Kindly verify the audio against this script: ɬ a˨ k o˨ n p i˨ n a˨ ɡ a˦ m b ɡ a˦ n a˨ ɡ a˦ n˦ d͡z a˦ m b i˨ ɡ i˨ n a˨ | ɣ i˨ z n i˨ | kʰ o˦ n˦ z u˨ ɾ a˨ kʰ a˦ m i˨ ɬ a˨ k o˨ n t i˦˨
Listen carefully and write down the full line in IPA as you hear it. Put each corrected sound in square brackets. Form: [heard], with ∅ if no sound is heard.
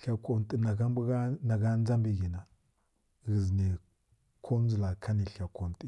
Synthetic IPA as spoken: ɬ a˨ k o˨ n [t] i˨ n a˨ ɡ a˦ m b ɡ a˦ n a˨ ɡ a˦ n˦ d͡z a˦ m b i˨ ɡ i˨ n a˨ | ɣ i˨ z n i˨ | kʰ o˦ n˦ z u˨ [l] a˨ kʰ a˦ [n] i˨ ɬ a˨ k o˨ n t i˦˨